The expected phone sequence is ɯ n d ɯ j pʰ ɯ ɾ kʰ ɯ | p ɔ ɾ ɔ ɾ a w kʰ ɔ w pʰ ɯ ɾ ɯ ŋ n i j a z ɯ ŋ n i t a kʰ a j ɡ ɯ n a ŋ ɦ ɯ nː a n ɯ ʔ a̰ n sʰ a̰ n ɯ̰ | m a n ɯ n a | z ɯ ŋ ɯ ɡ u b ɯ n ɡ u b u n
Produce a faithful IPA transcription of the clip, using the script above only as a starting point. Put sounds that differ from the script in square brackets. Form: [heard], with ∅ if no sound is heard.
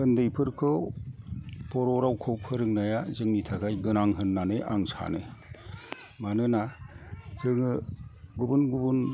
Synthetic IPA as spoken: ɯ n d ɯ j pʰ ɯ ɾ kʰ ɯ | p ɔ ɾ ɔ ɾ a w kʰ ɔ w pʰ ɯ ɾ ɯ ŋ n [a] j a z ɯ ŋ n i [tʰ] a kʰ a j ɡ ɯ n a ŋ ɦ ɯ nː a n ɯ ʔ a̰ [ŋ] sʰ a̰ n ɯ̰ | m a n ɯ n a | z ɯ ŋ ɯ ɡ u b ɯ n ɡ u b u n

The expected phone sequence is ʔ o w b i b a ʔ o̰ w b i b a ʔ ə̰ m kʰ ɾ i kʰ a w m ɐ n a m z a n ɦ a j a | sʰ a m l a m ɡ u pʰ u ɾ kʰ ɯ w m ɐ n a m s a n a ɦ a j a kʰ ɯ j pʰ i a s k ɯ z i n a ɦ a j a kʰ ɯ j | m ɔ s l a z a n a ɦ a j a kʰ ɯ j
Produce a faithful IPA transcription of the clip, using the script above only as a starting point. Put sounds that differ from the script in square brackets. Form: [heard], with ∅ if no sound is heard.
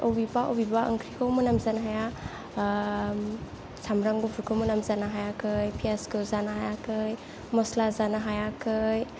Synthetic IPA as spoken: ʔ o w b i b a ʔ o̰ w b i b a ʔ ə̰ [ŋ] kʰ ɾ i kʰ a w m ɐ n a m z a n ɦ a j a | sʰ a m [ɾ] a [ŋ] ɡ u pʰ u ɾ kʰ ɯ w m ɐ n a m [z] a n a ɦ a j a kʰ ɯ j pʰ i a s k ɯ z [a] n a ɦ a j a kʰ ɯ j | m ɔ s l a z a n a ɦ a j a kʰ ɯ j

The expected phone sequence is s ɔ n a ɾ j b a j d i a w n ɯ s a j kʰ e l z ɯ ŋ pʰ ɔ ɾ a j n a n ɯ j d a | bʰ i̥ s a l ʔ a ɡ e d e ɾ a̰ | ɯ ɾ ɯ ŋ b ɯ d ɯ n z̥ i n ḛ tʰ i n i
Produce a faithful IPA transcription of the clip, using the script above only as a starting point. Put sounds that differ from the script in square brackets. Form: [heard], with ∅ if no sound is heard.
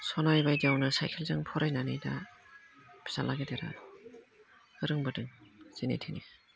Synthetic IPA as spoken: s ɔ n a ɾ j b a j d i a w n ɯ s a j kʰ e l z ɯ ŋ pʰ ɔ ɾ a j n a n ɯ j d a | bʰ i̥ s a l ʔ a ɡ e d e ɾ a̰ | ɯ ɾ ɯ ŋ b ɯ d ɯ [ŋ] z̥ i n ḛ tʰ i n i

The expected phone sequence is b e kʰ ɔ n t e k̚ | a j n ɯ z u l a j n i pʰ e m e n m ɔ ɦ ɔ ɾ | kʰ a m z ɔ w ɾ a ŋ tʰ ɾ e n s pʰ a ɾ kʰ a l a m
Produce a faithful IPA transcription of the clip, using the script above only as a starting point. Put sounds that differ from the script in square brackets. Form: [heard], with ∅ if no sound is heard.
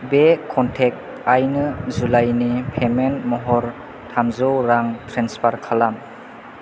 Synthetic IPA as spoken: b e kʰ ɔ n [tʰ] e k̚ | a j n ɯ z u l a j n i pʰ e m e n m ɔ ɦ ɔ ɾ | [tʰ] a m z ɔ w ɾ a ŋ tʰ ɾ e n s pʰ a ɾ kʰ a l a m

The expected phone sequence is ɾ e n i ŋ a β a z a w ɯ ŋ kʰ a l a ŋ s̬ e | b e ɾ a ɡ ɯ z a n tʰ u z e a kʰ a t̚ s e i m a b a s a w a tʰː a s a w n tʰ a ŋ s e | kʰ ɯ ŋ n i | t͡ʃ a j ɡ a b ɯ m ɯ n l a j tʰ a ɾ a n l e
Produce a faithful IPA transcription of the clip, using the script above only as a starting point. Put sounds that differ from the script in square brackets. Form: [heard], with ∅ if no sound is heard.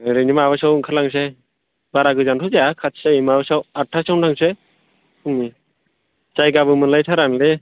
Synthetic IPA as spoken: ɾ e n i [m] a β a [s] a w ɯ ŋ kʰ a l a ŋ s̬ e | b [a] ɾ a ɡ ɯ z a n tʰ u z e a kʰ a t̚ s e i m a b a s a w a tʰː a s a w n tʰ a ŋ s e | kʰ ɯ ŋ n i | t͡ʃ a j ɡ a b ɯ m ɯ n l a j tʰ a ɾ a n l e

